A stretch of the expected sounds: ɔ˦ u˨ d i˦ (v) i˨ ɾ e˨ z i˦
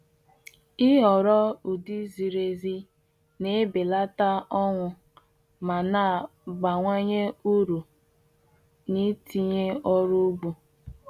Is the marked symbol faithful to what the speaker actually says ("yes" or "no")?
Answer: no